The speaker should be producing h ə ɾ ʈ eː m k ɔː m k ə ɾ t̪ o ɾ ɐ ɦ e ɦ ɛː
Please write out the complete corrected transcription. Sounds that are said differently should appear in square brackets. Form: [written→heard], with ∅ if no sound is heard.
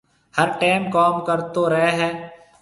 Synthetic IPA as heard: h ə ɾ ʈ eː m k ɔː m k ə ɾ t̪ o ɾ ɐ ɦ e ɦ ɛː